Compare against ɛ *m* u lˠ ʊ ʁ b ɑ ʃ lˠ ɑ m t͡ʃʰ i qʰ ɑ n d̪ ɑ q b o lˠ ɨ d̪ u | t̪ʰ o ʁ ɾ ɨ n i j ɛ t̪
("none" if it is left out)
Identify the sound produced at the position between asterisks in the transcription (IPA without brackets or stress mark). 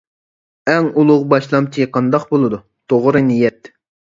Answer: ŋ